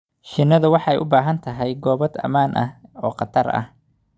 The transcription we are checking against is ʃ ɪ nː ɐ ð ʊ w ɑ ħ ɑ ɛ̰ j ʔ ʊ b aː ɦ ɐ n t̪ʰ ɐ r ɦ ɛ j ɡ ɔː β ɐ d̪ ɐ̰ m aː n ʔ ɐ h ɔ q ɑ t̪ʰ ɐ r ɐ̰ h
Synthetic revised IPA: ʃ ɪ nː ɐ ð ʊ w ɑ ħ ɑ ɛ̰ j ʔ ʊ b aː ɦ ɐ n t̪ʰ ɐ ɦ ɛ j ɡ ɔː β ɐ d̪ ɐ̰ m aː n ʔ ɐ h ɔː q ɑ t̪ʰ ɐ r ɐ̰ h

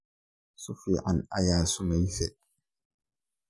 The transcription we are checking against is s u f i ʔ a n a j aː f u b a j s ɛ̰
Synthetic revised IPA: s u f i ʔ a n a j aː s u m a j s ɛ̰

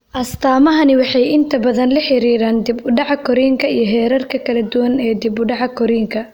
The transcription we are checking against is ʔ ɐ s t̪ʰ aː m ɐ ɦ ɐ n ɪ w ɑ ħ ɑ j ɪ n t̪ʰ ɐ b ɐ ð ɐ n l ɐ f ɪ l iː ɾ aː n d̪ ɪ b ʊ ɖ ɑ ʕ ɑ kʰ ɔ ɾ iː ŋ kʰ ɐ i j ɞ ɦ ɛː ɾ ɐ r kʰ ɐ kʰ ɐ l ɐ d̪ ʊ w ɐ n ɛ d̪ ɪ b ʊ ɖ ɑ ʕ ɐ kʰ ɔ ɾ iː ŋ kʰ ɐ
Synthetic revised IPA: ʔ ɐ s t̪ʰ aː m ɐ ɦ ɐ n ɪ w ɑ ħ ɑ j ɪ n t̪ʰ ɐ b ɐ ð ɐ n l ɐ ħ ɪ ɾ iː ɾ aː n d̪ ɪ b ʊ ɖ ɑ ʕ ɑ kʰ ɔ ɾ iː ŋ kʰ ɐ i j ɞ ɦ ɛː ɾ ɐ r kʰ ɐ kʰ ɐ l ɐ d̪ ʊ w ɐ n ɛː d̪ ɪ b ʊ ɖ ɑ ʕ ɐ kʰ ɔ ɾ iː ŋ kʰ ɐ

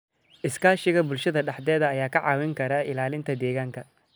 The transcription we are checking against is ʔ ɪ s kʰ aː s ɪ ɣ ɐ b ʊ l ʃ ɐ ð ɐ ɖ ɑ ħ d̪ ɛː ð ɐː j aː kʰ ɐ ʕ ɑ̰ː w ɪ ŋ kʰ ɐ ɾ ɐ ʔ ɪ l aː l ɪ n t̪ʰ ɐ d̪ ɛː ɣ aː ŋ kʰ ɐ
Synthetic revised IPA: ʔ ɪ s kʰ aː ʃ ɪ ɣ ɐ b ʊ l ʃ ɐ ð ɐ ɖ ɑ ħ d̪ ɛː ð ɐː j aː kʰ ɐ ʕ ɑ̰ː w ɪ ŋ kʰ ɐ ɾ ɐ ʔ ɪ l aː l ɪ n t̪ʰ ɐ d̪ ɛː ɣ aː ŋ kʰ ɐ

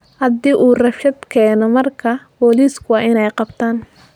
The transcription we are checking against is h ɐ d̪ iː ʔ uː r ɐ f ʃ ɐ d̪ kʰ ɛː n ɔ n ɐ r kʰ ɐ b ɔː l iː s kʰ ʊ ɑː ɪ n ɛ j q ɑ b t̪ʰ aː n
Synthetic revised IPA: h ɐ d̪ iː ʔ uː r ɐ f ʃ ɐ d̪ kʰ ɛː n ɔ m ɐ r kʰ ɐ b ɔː l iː s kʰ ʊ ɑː ɪ n ɛ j q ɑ b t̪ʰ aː n

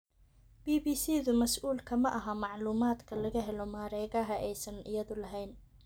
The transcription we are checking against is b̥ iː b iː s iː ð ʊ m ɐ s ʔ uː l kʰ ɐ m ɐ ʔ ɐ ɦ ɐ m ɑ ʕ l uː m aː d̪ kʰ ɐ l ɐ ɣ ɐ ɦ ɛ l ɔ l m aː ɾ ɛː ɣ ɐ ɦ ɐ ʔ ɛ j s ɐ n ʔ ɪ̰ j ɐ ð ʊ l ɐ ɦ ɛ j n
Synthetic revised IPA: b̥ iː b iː s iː ð ʊ m ɐ s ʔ uː l kʰ ɐ m ɐ ʔ ɐ ɦ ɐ m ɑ ʕ l uː m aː d̪ kʰ ɐ l ɐ ɣ ɐ ɦ ɛ l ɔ m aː ɾ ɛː ɣ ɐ ɦ ɐ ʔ ɛ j s ɐ n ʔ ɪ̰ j ɐ ð ʊ l ɐ ɦ ɛ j n

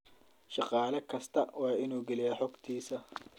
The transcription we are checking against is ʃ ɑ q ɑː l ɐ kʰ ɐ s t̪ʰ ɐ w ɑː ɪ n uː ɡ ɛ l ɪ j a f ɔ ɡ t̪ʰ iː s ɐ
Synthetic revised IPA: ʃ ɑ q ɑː l ɐ kʰ ɐ s t̪ʰ ɐ w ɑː ɪ n uː ɡ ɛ l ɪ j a ħ ɔ ɡ t̪ʰ iː s ɐ

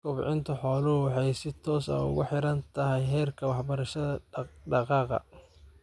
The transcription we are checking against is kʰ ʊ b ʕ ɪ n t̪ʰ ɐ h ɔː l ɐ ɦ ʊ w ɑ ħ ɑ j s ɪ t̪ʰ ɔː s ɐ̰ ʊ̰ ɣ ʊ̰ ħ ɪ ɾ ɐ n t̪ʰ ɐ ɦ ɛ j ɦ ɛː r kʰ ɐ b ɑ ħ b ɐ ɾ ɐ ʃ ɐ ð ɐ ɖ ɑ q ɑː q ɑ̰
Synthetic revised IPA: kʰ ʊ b ʕ ɪ n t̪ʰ ɐ ħ ɔː l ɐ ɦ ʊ w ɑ ħ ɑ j s ɪ t̪ʰ ɔː s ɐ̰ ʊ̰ ɣ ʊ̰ ħ ɪ ɾ ɐ n t̪ʰ ɐ ɦ ɛ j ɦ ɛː r kʰ ɐ w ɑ ħ b ɐ ɾ ɐ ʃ ɐ ð ɐ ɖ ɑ q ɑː q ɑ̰

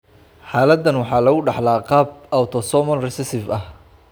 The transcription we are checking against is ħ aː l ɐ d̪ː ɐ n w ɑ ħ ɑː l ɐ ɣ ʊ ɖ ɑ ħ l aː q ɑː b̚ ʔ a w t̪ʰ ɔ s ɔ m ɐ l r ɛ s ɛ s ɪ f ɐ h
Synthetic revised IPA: ħ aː l ɐ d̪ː ɐ n w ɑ ħ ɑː l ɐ ɣ ʊ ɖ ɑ ħ l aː q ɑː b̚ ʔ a w t̪ʰ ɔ s ɔ m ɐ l r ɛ s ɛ s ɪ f ɐ h

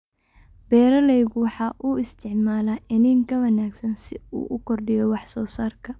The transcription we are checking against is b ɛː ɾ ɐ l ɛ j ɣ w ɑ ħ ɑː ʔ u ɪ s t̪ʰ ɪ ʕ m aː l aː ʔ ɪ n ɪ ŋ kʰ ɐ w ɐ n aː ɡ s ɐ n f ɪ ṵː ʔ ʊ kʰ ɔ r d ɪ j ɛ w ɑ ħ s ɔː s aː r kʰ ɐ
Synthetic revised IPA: b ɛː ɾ ɐ l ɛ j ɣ w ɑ ħ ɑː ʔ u ɪ s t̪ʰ ɪ ʕ m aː l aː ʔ ɪ n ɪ ŋ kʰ ɐ w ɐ n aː ɡ s ɐ n s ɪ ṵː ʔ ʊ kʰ ɔ r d ɪ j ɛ w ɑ ħ s ɔː s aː r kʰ ɐ

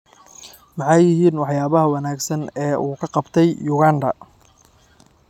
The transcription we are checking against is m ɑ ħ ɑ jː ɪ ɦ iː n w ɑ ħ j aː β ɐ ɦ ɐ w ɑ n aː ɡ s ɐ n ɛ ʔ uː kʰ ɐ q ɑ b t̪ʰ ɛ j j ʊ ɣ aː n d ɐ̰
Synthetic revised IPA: m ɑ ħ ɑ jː ɪ ɦ iː n w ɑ ħ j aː β ɐ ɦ ɐ w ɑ n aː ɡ s ɐ n ɛː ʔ uː kʰ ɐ q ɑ b t̪ʰ ɛ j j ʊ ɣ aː n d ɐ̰

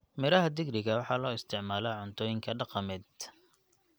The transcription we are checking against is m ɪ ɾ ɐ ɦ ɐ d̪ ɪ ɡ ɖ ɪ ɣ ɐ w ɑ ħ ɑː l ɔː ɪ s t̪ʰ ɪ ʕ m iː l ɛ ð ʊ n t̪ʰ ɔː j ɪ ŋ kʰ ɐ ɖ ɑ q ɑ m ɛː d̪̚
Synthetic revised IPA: m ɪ ɾ ɐ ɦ ɐ d̪ ɪ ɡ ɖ ɪ ɣ ɐ w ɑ ħ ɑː l ɔː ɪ s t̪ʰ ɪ ʕ m aː l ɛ ʕ ʊ n t̪ʰ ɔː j ɪ ŋ kʰ ɐ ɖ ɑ q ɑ m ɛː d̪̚

